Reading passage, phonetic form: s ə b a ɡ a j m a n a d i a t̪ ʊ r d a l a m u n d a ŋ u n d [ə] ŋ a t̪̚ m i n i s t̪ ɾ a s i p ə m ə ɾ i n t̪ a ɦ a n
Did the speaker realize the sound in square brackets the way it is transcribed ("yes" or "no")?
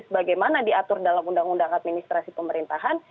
no